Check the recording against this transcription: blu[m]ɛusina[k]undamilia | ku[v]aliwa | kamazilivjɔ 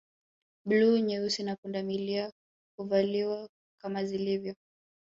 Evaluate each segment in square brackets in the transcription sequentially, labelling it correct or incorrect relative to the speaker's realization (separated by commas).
incorrect, correct, correct